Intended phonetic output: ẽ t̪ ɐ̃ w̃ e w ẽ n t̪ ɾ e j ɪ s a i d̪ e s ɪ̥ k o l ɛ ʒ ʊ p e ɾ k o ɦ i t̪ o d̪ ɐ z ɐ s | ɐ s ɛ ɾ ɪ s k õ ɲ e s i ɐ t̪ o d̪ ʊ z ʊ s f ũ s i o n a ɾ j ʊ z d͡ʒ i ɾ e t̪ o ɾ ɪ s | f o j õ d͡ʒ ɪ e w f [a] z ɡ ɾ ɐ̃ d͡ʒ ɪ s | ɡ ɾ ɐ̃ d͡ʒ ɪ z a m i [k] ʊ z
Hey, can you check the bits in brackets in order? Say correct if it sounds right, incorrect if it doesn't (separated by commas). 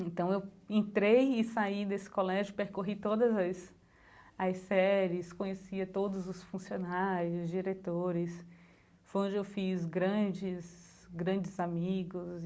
incorrect, incorrect